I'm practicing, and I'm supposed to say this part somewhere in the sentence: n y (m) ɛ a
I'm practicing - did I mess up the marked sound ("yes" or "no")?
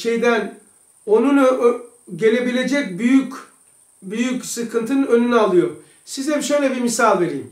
yes